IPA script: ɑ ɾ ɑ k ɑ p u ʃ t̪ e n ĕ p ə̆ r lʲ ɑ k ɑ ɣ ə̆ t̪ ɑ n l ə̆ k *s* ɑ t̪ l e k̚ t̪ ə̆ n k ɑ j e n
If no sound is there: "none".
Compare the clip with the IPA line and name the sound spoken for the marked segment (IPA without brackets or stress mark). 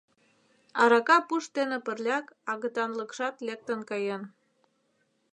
ʃ